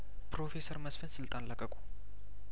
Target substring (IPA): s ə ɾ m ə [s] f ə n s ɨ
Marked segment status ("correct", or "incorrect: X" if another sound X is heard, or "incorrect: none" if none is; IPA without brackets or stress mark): correct